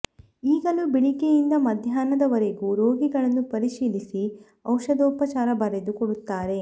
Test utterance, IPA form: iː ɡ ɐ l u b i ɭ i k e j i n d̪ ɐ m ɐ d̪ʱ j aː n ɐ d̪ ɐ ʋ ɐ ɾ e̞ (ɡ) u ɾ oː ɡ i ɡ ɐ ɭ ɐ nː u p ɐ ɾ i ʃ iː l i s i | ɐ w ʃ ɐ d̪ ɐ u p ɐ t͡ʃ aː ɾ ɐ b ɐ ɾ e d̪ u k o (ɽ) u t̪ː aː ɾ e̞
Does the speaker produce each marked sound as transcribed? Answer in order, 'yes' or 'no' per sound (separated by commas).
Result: yes, yes